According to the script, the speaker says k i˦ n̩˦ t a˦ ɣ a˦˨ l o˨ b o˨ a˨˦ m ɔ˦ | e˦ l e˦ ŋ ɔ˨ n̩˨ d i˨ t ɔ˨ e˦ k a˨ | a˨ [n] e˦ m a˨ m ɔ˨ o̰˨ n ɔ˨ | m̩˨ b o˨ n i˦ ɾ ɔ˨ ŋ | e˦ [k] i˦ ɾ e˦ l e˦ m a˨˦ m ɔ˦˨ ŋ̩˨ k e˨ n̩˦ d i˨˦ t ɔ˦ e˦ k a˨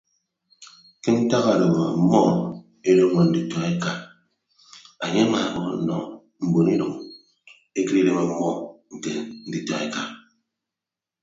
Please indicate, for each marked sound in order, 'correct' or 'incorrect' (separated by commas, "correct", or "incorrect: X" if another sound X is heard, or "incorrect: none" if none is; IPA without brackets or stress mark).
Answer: incorrect: ɲ, correct